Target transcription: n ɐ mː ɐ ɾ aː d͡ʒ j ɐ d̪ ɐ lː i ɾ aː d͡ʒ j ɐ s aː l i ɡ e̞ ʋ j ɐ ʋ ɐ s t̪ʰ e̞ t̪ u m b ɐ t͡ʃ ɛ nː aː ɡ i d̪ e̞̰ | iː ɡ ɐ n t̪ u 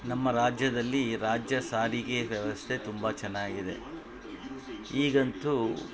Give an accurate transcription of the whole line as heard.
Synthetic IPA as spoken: n ɐ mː ɐ ɾ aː d͡ʒ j ɐ d̪ ɐ lː i ɾ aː d͡ʒ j ɐ s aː ɾ i ɡ e̞ ʋ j ɐ ʋ ɐ s t̪ʰ e̞ t̪ u m b ɐ t͡ʃ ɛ nː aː ɡ i d̪ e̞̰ | iː ɡ ɐ n t̪ u